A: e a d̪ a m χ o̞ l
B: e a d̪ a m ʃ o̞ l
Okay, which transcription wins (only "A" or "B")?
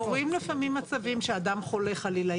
A